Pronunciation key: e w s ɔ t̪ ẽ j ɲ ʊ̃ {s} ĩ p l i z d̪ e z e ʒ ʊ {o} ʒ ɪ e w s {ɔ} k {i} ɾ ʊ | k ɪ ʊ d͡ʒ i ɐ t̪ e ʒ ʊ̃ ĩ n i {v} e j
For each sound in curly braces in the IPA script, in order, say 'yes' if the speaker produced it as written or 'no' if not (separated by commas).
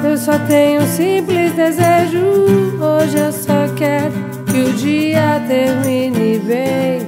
yes, yes, yes, no, yes